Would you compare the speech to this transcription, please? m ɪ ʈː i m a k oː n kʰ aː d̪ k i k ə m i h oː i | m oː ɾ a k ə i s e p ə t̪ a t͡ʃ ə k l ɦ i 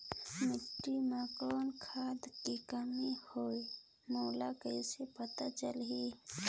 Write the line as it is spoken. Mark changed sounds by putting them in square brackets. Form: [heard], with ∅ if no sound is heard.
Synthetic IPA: m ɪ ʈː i m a k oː n kʰ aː d̪ k i k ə m i h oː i | m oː [l] a k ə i s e p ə t̪ a t͡ʃ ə [∅] l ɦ i